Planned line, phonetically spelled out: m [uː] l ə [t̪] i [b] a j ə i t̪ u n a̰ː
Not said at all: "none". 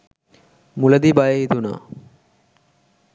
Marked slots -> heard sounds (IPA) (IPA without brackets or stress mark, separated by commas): u, d̪, b